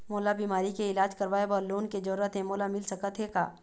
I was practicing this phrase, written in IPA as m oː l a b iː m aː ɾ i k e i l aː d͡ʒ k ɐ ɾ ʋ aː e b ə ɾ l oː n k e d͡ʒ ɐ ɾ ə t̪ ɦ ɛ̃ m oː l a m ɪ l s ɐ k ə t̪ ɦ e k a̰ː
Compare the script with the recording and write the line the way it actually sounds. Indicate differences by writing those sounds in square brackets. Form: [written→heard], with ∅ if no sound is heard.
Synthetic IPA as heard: m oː l a b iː m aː ɾ i k e [i→ɪ] l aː d͡ʒ k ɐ ɾ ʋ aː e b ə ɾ l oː n k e d͡ʒ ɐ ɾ ə t̪ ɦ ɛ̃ m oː l a m ɪ l s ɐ k ə t̪ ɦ e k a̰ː